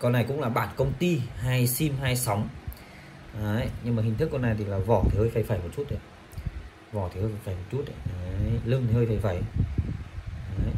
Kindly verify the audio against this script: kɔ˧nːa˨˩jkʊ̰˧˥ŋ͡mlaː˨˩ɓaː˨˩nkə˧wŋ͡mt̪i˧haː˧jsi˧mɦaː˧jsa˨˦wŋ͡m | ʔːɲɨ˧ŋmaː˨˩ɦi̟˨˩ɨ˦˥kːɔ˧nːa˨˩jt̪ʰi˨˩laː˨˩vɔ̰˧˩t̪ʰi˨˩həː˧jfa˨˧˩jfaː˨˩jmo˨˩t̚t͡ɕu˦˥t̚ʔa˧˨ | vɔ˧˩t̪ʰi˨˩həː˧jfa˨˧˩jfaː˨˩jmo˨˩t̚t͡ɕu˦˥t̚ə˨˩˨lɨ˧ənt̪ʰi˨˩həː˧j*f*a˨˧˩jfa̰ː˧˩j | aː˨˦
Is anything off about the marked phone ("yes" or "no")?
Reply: no